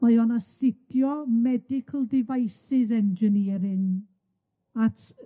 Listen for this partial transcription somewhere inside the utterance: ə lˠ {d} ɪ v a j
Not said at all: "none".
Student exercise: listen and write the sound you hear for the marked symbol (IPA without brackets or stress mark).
d